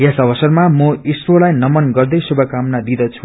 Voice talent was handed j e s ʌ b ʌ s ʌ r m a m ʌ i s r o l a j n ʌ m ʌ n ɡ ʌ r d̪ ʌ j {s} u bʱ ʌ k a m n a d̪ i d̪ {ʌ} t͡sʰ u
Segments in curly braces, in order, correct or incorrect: correct, correct

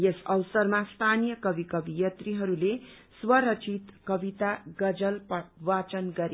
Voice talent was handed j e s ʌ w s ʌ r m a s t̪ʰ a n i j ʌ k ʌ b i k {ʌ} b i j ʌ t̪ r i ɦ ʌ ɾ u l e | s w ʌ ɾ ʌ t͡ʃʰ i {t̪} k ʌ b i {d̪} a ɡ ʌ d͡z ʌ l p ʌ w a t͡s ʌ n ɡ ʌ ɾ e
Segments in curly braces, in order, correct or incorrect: correct, correct, incorrect: t̪

